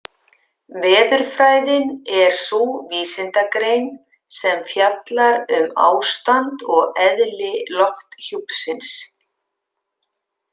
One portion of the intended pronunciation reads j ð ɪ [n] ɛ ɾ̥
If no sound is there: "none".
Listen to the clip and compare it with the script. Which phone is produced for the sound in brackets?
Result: n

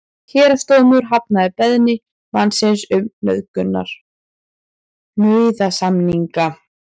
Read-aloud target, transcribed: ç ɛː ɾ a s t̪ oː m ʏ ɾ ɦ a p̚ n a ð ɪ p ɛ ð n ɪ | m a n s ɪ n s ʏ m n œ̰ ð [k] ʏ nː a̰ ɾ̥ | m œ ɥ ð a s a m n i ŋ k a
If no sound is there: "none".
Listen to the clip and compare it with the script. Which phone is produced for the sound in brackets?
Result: k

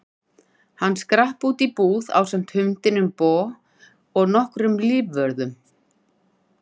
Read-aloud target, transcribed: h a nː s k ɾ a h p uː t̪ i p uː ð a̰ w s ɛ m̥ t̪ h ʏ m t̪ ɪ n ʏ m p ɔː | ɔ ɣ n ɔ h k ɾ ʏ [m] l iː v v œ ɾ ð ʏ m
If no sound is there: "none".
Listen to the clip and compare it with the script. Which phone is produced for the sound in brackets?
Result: m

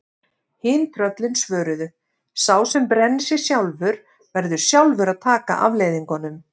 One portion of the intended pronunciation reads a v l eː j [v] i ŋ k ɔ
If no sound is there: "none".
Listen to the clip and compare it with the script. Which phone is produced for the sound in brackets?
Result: ð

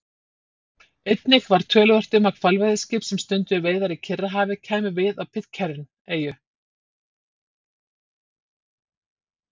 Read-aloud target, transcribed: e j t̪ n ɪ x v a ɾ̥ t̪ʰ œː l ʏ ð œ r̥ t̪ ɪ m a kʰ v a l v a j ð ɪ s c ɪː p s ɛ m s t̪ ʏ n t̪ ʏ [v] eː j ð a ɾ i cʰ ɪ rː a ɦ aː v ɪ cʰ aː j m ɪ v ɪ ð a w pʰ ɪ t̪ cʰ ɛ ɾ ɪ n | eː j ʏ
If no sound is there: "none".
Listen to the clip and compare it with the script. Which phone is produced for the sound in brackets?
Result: v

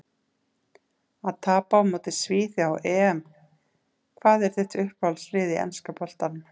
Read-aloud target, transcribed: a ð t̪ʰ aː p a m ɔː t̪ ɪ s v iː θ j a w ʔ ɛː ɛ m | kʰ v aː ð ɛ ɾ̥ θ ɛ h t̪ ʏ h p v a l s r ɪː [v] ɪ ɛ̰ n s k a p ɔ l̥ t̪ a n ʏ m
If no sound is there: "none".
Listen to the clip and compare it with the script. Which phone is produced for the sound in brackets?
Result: ð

